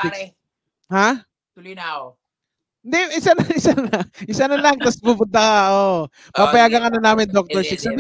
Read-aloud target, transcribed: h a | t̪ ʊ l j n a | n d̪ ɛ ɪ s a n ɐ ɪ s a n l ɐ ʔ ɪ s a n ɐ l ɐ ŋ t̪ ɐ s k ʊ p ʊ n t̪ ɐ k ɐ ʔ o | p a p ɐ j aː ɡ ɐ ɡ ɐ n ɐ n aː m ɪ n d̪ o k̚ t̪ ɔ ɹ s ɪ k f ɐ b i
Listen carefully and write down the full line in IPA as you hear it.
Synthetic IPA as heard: h a | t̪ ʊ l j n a | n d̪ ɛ ɪ s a n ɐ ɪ s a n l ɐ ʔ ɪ s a n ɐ l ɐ ŋ t̪ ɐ s p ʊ p ʊ n t̪ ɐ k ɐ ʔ o | p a p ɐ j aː ɡ ɐ ŋ ɐ n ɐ n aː m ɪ n d̪ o k̚ t̪ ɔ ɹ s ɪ k s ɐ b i